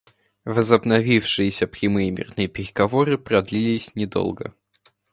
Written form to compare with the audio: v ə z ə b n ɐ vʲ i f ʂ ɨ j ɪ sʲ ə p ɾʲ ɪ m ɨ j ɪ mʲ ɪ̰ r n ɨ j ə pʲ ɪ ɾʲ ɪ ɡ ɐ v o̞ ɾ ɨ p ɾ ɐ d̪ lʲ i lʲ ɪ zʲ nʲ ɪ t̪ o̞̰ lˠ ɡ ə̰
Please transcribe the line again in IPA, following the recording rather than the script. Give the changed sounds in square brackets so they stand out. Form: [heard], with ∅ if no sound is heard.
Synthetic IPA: v ə z ə b n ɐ vʲ i f ʂ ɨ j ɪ sʲ ə p ɾʲ ɪ m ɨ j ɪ mʲ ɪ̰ r n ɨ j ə pʲ ɪ ɾʲ ɪ ɡ ɐ v o̞ ɾ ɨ p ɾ ɐ d̪ lʲ i lʲ ɪ [sʲ] nʲ ɪ [d̪] o̞̰ lˠ ɡ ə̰